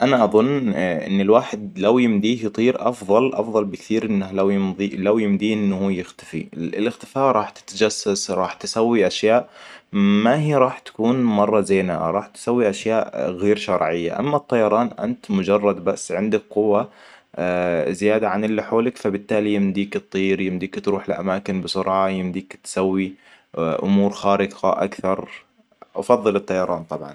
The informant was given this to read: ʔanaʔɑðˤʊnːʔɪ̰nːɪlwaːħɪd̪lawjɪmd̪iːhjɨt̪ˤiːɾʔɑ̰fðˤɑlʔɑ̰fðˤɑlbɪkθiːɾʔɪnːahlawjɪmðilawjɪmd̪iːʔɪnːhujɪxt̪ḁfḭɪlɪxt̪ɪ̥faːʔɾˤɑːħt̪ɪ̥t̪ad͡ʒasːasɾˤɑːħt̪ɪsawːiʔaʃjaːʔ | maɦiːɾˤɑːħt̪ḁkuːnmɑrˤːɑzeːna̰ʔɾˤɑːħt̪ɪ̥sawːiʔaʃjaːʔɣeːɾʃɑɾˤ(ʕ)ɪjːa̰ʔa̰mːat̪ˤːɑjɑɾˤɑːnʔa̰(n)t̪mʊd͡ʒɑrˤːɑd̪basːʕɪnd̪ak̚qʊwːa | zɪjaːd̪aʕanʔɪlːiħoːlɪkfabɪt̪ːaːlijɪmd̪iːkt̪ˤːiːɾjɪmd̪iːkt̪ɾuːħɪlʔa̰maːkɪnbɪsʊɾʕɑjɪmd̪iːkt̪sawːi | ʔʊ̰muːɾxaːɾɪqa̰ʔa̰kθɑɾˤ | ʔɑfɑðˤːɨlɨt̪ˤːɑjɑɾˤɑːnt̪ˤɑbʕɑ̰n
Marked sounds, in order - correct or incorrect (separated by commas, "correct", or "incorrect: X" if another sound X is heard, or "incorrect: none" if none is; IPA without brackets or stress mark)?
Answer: correct, correct